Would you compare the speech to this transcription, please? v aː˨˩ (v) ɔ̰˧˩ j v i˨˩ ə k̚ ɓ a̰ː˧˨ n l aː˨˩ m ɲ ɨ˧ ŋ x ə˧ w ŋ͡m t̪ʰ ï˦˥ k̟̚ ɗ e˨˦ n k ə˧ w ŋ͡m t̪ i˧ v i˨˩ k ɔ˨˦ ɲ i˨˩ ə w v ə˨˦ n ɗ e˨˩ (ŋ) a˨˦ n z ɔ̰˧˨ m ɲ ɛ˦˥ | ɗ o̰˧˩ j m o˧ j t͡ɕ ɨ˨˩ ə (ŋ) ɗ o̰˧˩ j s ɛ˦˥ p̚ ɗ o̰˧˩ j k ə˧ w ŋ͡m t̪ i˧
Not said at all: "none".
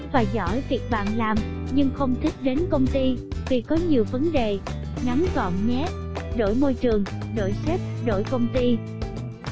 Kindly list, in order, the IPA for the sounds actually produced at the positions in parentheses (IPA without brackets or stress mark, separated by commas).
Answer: z, ŋ, ŋ